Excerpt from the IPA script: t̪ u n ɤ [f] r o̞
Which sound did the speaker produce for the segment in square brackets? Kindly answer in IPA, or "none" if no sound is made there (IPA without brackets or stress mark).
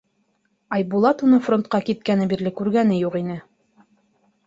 f